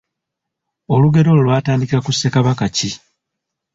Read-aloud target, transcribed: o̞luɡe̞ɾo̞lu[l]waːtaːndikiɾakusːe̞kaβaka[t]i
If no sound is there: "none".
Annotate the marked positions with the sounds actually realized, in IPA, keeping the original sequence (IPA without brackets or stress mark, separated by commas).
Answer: l, c